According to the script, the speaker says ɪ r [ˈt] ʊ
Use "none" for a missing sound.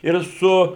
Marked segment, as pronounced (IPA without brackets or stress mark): s